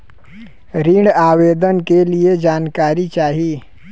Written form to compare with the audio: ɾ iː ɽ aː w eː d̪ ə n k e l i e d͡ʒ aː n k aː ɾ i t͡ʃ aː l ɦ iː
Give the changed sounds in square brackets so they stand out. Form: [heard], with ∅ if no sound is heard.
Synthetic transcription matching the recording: ɾ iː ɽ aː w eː d̪ ə n k e l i e d͡ʒ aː n k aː ɾ i t͡ʃ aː [∅] ɦ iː